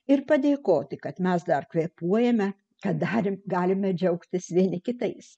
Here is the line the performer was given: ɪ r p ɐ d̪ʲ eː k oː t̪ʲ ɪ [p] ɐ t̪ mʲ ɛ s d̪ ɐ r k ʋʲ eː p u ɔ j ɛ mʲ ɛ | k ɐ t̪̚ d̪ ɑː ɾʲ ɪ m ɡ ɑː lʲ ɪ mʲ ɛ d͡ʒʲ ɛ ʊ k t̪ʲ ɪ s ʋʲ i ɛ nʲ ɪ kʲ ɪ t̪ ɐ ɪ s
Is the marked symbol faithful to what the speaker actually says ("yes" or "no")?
no